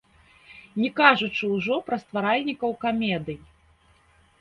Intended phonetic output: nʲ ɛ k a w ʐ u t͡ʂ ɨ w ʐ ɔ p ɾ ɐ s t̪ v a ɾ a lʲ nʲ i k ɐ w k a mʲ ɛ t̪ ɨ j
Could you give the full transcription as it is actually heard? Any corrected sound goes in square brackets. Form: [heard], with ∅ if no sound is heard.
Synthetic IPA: nʲ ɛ k a [∅] ʐ u t͡ʂ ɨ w ʐ ɔ p ɾ ɐ s t̪ v a ɾ a lʲ nʲ i k ɐ w k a mʲ ɛ [d̪] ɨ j